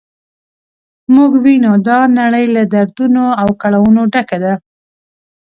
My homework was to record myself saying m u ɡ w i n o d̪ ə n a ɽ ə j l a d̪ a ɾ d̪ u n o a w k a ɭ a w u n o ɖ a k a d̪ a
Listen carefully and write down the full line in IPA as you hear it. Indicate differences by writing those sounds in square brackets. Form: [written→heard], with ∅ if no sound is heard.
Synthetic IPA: m u ɡ w i n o d̪ [ə→ɑ] n a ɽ ə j l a d̪ a ɾ d̪ u n o a w k a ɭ a w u n o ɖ a k a d̪ a